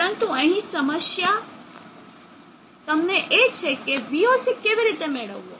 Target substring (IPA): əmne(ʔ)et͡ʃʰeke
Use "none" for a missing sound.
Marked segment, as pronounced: ʔ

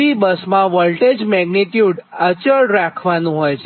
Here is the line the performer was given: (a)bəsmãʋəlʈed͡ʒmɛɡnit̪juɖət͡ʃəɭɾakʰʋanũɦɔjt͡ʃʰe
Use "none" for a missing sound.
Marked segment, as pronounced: i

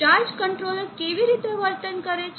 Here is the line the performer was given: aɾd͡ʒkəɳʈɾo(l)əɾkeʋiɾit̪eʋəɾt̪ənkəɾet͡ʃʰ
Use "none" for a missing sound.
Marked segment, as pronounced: l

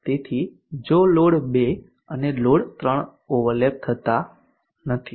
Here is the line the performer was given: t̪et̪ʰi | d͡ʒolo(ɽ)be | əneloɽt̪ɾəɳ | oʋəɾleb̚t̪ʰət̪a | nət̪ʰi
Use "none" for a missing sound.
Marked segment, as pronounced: ɽ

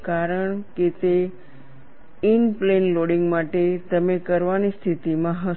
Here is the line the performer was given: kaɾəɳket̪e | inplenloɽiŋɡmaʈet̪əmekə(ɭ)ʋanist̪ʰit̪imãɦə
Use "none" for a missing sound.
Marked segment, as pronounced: ɾ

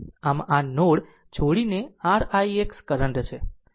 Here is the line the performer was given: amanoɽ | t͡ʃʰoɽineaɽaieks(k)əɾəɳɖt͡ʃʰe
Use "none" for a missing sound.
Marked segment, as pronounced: k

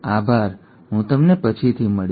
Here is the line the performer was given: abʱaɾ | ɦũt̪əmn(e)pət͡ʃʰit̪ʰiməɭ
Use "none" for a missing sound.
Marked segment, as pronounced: e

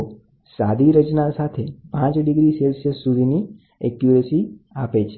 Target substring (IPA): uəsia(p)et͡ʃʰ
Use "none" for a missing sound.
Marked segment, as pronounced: p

